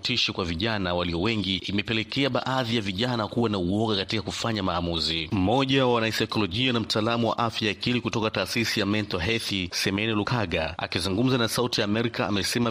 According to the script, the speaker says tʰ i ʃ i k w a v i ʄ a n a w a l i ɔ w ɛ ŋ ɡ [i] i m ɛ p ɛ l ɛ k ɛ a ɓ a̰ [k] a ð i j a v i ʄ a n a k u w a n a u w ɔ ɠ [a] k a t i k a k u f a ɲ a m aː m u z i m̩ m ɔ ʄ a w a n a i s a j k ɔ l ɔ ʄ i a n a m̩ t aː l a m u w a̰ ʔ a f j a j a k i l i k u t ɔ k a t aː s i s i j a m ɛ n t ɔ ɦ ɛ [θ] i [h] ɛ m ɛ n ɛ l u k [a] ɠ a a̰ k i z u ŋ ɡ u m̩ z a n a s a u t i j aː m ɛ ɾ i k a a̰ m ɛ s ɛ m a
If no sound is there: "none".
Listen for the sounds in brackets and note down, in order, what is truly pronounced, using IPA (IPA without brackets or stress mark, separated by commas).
i, ʔ, a, θ, s, a